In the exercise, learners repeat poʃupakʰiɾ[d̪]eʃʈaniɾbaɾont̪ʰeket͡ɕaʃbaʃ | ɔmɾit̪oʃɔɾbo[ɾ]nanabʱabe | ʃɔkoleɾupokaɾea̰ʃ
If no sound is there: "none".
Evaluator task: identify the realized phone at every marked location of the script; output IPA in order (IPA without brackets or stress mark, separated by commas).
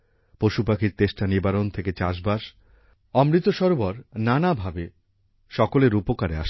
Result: t̪, ɾ